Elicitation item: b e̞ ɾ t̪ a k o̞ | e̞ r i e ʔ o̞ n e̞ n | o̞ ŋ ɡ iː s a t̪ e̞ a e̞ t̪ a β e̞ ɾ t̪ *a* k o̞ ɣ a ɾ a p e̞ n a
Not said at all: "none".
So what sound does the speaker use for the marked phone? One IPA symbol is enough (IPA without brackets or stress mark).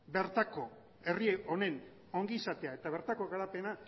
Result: a